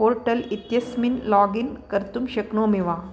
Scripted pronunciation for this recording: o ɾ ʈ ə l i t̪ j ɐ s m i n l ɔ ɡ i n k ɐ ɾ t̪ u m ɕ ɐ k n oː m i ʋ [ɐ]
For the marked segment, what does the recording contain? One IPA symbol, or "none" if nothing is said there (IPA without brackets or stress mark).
a